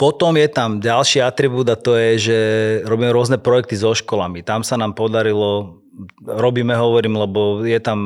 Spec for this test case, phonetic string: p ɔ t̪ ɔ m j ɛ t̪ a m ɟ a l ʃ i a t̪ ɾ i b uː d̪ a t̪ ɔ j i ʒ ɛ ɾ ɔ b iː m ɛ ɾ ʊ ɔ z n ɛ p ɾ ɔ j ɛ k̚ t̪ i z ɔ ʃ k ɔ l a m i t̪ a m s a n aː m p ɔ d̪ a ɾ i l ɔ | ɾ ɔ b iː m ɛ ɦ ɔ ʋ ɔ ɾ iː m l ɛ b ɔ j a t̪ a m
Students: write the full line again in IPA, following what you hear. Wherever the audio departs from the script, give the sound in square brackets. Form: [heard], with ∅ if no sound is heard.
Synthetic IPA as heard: p ɔ t̪ ɔ m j ɛ t̪ a m ɟ a l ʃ i a t̪ ɾ i b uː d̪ a t̪ ɔ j [ɛ] ʒ ɛ ɾ ɔ b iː m ɛ ɾ ʊ ɔ z n ɛ p ɾ ɔ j ɛ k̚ t̪ i z ɔ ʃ k ɔ l a m i t̪ a m s a n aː m p ɔ d̪ a ɾ i l ɔ | ɾ ɔ b iː m ɛ ɦ ɔ ʋ ɔ ɾ iː m l ɛ b ɔ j [ɛ] t̪ a m